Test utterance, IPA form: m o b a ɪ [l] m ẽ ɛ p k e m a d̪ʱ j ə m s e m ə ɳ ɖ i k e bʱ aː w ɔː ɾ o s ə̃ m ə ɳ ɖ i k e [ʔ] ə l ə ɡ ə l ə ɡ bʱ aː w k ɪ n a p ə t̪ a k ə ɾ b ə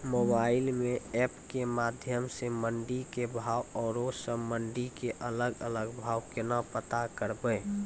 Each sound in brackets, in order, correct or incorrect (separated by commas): correct, correct